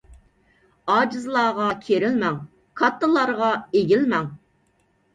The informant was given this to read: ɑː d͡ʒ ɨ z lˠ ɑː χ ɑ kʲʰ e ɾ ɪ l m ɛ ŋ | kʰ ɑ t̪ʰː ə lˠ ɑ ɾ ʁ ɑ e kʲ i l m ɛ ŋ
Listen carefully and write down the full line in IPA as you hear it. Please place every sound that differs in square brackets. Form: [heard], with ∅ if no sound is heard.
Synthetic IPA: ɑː d͡ʒ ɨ z lˠ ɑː [ʁ] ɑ kʲʰ e ɾ ɪ l m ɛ ŋ | kʰ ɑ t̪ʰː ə lˠ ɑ ɾ ʁ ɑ e [ɡʲ] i l m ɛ ŋ